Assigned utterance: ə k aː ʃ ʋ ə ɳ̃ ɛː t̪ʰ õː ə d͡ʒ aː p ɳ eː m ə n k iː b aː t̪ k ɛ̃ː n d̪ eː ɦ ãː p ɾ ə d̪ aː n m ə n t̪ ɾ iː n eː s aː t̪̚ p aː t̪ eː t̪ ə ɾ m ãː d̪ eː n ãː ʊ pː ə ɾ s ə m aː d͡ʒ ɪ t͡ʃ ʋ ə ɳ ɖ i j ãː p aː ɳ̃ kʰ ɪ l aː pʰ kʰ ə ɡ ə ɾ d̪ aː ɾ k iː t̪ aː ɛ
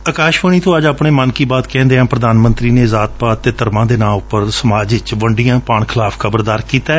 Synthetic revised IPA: ə k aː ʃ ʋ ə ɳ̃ iː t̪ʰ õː ə d͡ʒ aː p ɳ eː m ə n k iː b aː t̪ k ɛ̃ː n d̪ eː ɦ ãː p ɾ ə d̪ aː n m ə n t̪ ɾ iː n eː z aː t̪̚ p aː t̪ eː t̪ ə ɾ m ãː d̪ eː n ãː ʊ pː ə ɾ s ə m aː d͡ʒ ɪ t͡ʃ ʋ ə ɳ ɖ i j ãː p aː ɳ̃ kʰ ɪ l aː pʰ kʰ ə b ə ɾ d̪ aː ɾ k iː t̪ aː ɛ